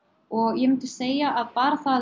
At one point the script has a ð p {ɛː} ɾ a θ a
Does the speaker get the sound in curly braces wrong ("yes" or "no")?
yes